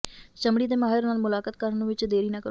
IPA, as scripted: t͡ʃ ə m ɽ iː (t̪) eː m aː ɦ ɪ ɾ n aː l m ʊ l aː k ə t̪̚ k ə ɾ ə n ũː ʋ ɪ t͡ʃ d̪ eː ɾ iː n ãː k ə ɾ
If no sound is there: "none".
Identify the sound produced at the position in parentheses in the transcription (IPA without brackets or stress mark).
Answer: d̪